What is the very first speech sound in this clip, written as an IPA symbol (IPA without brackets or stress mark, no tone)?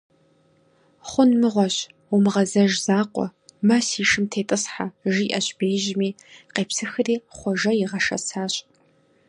χʷ